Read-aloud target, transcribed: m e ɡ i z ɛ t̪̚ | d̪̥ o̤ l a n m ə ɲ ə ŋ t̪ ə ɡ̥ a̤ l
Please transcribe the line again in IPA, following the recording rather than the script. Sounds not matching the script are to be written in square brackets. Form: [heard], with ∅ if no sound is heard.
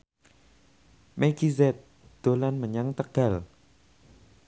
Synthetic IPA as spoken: m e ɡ i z ɛ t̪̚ | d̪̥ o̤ l a n m ə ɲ [a] ŋ t̪ ə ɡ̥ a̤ l